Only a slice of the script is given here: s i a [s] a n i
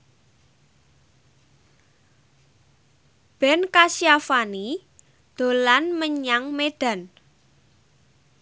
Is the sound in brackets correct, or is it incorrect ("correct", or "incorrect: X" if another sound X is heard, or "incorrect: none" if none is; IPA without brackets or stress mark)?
incorrect: f